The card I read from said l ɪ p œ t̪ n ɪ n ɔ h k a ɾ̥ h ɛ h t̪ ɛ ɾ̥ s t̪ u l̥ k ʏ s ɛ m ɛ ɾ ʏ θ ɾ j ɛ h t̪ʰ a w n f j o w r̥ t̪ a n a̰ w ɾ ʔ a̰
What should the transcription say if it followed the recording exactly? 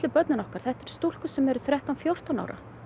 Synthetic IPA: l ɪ p œ t̪ n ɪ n ɔ h k a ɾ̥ θ ɛ h t̪ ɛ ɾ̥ s t̪ u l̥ k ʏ s ɛ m ɛ ɾ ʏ θ ɾ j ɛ h t̪ a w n f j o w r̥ t̪ a n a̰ w ɾ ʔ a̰